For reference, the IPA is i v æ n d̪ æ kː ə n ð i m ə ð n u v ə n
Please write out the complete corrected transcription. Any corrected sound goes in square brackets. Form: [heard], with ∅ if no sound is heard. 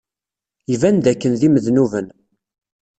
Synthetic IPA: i v æ n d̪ æ kː ə n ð i m ə ð n u v ə n